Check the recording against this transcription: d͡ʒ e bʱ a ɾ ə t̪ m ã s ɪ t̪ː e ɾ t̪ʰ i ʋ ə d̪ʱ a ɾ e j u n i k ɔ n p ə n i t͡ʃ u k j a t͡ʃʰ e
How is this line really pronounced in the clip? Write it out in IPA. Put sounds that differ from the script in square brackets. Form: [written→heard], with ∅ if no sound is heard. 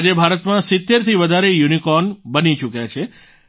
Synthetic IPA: d͡ʒ e bʱ a ɾ ə t̪ m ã s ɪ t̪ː e ɾ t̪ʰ i ʋ ə d̪ʱ a ɾ e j u n i k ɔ n [p→b] ə n i t͡ʃ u k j a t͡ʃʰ e